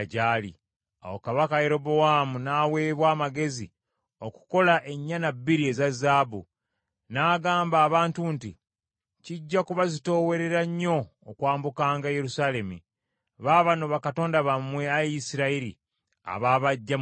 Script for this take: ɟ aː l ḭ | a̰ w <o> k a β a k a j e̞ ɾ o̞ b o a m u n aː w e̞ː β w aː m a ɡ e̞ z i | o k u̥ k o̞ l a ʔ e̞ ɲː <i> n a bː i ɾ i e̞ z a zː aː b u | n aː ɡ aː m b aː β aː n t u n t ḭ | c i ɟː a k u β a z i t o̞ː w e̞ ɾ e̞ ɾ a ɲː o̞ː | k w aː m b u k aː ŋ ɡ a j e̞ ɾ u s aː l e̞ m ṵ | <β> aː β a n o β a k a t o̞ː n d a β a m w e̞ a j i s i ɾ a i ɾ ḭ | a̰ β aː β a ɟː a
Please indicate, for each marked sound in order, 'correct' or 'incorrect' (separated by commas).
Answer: correct, incorrect, correct